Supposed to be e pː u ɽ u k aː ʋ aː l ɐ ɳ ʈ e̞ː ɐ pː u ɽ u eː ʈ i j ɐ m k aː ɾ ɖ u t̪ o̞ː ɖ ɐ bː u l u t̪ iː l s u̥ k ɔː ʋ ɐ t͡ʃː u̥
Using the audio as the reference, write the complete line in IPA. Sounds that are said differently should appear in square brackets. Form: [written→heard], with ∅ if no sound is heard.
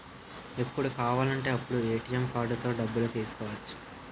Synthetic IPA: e pː u ɽ u k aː ʋ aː l ɐ ɳ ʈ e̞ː ɐ pː u ɽ u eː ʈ i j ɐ m k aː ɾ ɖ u t̪ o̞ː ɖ ɐ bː u l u t̪ iː [l→∅] s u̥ k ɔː ʋ ɐ t͡ʃː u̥